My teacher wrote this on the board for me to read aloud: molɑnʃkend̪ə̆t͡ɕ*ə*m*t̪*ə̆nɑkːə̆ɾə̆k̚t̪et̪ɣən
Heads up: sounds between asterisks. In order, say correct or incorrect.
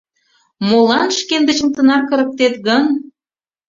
correct, correct

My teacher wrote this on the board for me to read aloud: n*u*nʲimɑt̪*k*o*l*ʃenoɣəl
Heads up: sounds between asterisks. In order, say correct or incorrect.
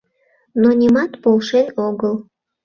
incorrect: o, incorrect: p, correct

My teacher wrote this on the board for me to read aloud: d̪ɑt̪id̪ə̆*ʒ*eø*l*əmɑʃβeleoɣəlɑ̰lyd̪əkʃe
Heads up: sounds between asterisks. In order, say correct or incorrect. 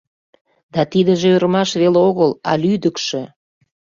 correct, incorrect: ɾ

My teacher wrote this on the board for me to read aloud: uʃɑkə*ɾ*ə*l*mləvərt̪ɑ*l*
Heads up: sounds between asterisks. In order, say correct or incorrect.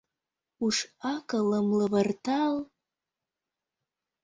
incorrect: l, incorrect: none, correct

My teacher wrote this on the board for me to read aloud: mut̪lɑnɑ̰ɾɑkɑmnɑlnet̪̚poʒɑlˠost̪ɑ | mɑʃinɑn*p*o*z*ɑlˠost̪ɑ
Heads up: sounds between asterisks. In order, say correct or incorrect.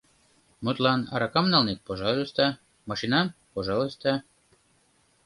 correct, incorrect: ʒ

